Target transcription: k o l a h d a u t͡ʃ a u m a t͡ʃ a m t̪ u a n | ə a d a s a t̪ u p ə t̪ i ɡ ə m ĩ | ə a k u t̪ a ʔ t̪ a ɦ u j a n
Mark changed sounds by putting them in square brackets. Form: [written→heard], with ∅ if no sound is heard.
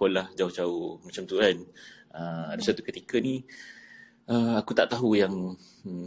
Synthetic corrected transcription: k o l a h [d→d͡ʒ] a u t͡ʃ a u m a t͡ʃ a m t̪ u a n | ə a d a s a t̪ u [p→k] ə t̪ i [ɡ→k] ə [m→n] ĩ | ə a k u t̪ a ʔ t̪ a ɦ u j a [n→ŋ]